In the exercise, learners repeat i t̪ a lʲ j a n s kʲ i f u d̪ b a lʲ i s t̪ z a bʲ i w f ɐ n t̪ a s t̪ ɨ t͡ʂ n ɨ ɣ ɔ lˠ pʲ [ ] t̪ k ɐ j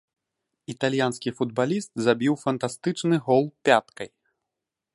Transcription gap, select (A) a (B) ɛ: A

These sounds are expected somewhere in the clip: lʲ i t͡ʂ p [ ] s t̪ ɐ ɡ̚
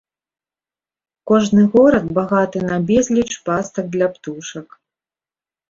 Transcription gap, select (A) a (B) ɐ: A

